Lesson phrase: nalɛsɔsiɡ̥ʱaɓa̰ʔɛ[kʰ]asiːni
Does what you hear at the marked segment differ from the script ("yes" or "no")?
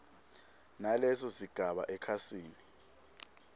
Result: no